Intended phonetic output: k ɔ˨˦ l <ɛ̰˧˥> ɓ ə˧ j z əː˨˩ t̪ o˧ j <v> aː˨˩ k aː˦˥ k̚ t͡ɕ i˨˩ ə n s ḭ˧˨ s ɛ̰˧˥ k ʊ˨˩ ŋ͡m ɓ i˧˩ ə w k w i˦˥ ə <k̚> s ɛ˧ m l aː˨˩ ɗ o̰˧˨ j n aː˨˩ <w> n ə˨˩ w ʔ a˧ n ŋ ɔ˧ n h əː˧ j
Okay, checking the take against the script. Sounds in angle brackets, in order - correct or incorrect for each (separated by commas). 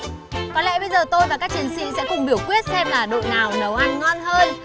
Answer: correct, correct, incorrect, correct